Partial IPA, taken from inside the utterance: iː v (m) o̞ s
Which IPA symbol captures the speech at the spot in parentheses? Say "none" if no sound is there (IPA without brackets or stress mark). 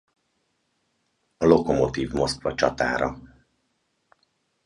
m